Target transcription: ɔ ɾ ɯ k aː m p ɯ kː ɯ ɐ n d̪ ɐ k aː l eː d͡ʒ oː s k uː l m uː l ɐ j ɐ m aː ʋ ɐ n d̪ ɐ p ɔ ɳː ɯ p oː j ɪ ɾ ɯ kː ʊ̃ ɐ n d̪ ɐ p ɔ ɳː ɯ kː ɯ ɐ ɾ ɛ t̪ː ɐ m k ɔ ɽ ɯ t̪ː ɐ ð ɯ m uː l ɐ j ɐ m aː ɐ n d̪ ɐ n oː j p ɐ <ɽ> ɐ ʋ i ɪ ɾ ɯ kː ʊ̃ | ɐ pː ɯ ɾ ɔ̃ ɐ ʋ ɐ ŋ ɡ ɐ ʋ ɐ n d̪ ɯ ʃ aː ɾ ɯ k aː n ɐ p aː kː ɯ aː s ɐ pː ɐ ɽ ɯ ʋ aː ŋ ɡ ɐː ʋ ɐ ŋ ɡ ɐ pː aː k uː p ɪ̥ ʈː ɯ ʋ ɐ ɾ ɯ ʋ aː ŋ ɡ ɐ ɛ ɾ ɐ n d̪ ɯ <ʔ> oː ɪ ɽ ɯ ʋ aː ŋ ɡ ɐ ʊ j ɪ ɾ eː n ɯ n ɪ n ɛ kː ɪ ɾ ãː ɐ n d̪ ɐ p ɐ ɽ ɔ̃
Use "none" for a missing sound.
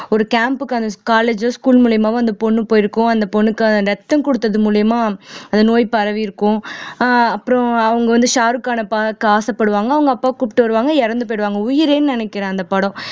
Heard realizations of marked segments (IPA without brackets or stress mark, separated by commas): ɾ, p